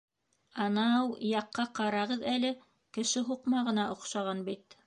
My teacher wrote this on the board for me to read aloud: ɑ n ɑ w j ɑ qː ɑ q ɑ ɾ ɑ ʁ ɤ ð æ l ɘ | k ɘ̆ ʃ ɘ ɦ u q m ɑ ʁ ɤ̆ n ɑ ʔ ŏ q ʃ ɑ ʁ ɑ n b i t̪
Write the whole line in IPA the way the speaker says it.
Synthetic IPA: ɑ n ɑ w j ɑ qː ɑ q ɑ ɾ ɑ ʁ ɤ ð æ l ɘ | k ɘ̆ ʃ ɘ ɦ u q m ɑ ʁ ɤ̆ n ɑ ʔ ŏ q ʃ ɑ ʁ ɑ n b i t̪